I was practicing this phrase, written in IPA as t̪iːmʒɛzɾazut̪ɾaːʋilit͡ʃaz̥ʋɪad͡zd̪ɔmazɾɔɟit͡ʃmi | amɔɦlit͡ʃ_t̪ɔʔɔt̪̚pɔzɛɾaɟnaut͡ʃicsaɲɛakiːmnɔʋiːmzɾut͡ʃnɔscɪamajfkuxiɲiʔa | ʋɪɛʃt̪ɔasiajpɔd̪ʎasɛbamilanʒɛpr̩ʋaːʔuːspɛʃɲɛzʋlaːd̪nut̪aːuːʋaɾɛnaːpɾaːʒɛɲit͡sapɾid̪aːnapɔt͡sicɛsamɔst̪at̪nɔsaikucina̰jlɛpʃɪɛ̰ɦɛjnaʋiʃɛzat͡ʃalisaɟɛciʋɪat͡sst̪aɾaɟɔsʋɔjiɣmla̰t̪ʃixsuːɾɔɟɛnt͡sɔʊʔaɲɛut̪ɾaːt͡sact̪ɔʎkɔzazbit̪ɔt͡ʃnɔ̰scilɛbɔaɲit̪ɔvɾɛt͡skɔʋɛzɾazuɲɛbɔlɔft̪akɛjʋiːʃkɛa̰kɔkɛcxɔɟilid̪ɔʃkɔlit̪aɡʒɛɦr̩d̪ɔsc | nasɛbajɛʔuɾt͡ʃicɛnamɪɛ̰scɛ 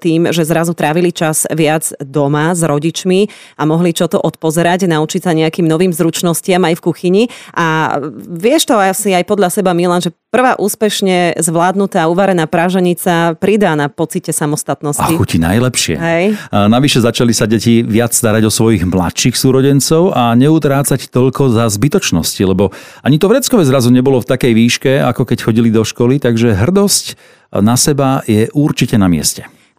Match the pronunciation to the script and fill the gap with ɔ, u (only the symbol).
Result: ɔ